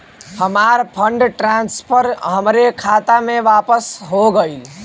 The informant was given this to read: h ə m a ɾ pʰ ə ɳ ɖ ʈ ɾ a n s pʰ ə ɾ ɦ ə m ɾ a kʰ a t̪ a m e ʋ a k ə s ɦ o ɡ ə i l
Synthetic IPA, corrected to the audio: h ə m a ɾ pʰ ə ɳ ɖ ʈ ɾ a n s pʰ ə ɾ ɦ ə m ɾ e kʰ a t̪ a m e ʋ a p ə s ɦ o ɡ ə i l